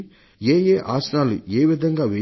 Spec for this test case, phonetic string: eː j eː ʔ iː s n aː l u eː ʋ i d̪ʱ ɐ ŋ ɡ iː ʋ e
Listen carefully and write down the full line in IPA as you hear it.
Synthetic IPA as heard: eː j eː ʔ aː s n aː l u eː ʋ i d̪ʱ ɐ ŋ ɡ aː ʋ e